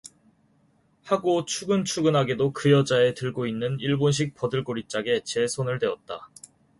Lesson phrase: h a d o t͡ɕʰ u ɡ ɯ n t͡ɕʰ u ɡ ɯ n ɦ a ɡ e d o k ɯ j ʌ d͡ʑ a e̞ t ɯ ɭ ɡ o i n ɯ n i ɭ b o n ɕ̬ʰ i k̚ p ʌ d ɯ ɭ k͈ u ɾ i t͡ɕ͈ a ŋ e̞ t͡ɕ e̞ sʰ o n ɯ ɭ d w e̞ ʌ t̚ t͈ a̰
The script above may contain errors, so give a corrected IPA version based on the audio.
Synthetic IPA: h a ɡ o t͡ɕʰ u ɡ ɯ n t͡ɕʰ u ɡ ɯ n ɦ a ɡ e d o k ɯ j ʌ d͡ʑ a e̞ t ɯ ɭ ɡ o i nː ɯ n i ɭ b o n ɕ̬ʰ i k̚ p ʌ d ɯ ɭ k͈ o ɾ i t͡ɕ͈ a ɡ e̞ t͡ɕ e̞ sʰ o n ɯ ɭ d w e̞ ʌ t̚ t͈ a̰